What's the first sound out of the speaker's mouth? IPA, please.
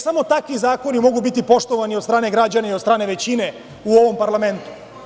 s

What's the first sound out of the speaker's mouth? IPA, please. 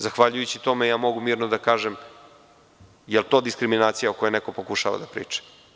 z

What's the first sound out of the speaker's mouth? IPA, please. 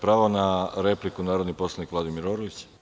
p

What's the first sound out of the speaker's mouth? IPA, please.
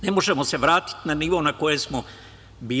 n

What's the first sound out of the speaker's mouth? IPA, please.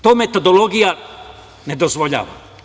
t̪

